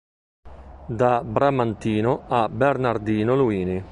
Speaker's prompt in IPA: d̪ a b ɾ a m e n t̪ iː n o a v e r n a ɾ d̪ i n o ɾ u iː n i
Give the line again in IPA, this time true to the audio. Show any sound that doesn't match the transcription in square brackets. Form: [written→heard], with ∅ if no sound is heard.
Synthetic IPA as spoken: d̪ a b ɾ a m [e→a] n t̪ iː n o a [v→b] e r n a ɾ d̪ [i→iː] n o [ɾ→l] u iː n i